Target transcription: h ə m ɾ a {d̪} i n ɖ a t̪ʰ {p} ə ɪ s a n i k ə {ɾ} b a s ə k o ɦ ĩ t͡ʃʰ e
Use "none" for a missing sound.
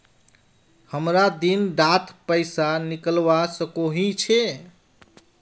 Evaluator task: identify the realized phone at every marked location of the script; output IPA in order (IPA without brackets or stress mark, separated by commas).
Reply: d̪, p, l